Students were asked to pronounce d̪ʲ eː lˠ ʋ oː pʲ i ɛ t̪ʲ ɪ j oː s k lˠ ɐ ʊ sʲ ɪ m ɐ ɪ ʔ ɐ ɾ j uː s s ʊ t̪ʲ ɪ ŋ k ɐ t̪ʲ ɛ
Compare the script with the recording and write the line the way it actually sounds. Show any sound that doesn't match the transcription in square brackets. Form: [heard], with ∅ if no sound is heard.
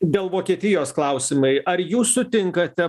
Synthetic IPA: d̪ʲ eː lˠ ʋ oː [kʲ] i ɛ t̪ʲ ɪ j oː s k lˠ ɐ ʊ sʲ ɪ m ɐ ɪ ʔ ɐ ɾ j uː s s ʊ t̪ʲ ɪ ŋ k ɐ t̪ʲ ɛ